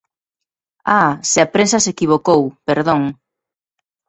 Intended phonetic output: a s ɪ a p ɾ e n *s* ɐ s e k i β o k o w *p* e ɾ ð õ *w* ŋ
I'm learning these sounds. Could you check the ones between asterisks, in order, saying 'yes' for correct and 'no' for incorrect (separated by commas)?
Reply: yes, yes, no